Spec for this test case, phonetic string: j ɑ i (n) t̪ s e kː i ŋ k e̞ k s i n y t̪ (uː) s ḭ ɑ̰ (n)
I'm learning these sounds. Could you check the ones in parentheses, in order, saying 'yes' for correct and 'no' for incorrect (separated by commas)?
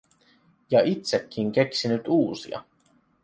no, yes, no